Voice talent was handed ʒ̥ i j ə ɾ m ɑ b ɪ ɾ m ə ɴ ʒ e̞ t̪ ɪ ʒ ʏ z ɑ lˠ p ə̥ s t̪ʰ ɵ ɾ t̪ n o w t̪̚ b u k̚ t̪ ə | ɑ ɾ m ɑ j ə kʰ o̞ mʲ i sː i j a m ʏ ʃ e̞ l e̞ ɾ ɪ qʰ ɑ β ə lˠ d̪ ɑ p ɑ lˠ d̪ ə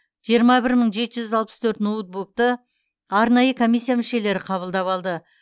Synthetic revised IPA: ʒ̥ i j ə ɾ m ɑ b ɪ ɾ m ə ɴ ʒ e̞ t̪ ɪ ʒ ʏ z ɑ lˠ p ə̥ s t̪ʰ ɵ ɾ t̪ n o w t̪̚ b u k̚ t̪ ə | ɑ ɾ n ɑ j ə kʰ o̞ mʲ i sː i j a m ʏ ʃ e̞ l e̞ ɾ ɪ qʰ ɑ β ə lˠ d̪ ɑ p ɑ lˠ d̪ ə